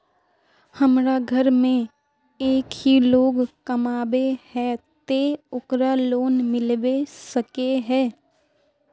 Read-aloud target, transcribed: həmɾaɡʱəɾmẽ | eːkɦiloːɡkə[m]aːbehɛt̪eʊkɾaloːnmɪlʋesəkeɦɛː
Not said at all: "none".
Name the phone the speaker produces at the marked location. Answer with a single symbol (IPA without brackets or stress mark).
m